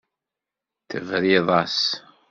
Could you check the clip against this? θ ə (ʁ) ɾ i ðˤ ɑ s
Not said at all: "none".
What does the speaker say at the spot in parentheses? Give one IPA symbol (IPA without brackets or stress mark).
v